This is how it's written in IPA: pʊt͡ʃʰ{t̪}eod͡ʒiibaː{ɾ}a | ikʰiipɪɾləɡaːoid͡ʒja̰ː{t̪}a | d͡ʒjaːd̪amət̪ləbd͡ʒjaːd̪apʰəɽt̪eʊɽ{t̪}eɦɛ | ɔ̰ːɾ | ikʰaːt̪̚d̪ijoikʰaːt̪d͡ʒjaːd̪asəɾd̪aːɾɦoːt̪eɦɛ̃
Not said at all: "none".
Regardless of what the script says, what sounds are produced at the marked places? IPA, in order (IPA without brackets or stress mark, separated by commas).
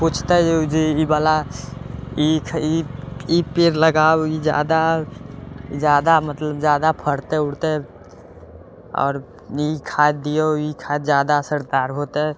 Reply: t̪, l, d̪, t̪